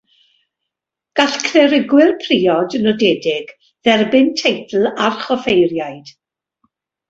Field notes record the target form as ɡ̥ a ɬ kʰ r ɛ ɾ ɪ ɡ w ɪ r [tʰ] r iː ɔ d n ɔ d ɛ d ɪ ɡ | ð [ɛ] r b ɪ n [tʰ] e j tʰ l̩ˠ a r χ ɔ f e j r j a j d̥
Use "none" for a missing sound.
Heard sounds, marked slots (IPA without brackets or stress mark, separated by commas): pʰ, ɛ, tʰ